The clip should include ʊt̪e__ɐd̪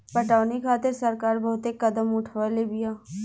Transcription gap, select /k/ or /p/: k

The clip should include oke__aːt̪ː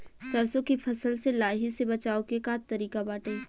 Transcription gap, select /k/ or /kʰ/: k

